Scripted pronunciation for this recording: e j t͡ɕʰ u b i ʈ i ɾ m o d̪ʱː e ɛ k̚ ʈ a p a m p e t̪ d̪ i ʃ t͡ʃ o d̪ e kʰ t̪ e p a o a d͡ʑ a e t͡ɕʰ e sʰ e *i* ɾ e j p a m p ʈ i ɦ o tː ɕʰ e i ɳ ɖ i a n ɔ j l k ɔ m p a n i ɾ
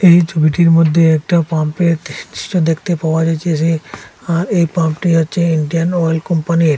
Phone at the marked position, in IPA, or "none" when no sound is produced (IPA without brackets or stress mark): a